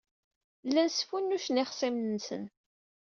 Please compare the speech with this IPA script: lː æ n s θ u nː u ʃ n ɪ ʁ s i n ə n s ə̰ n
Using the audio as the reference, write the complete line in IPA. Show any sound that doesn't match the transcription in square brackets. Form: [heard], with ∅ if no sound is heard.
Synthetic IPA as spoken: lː æ n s [f] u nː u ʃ n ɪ [χ] s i [m] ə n s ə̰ n